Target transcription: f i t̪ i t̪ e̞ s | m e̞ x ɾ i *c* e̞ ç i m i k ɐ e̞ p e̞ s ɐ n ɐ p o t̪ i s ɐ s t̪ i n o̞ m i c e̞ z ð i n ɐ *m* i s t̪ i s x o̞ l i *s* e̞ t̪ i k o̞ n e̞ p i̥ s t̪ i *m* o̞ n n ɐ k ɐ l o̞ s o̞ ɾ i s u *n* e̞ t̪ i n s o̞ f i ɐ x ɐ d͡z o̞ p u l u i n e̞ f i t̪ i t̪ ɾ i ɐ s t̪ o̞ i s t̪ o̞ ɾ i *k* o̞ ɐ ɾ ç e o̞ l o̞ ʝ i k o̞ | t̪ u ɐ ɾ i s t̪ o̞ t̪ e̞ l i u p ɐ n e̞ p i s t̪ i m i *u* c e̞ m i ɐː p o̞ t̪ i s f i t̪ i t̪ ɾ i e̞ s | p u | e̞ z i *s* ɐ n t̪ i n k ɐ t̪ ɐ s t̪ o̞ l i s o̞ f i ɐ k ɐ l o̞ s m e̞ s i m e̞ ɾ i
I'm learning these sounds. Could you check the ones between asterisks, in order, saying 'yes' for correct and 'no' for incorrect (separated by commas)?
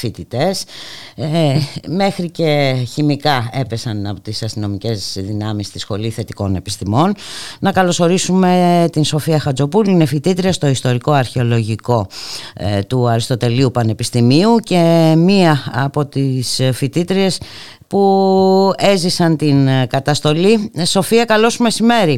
yes, yes, no, yes, no, yes, yes, yes